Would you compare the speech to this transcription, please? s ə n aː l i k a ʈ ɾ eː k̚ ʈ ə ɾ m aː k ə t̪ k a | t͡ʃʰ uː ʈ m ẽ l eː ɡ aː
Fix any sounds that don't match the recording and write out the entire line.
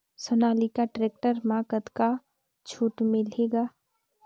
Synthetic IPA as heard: s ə n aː l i k a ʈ ɾ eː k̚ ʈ ə ɾ m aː k ə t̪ k a | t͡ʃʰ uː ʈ m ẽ l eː ɡ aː